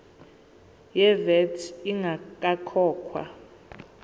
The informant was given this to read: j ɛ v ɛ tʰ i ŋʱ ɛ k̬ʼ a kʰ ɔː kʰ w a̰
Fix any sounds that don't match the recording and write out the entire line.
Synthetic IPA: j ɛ v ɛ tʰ i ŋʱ a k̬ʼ a kʰ ɔː kʰ w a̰